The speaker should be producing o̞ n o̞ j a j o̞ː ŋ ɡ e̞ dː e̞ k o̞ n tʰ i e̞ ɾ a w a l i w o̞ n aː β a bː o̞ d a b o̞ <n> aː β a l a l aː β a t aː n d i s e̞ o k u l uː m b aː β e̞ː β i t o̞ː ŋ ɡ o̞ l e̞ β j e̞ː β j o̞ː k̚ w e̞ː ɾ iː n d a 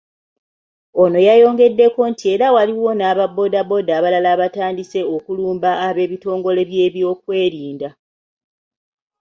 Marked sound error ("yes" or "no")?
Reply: yes